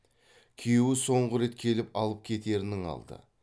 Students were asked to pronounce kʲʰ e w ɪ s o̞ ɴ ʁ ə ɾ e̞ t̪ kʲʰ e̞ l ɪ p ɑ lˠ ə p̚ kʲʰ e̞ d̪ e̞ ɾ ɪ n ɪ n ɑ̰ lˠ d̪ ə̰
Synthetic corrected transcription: kʲʰ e w ɪ s o̞ ɴ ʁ ə ɾ e̞ t̪ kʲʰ e̞ l ɪ p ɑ lˠ ə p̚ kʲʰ e̞ t̪ e̞ ɾ ɪ n ɪ ŋ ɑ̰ lˠ d̪ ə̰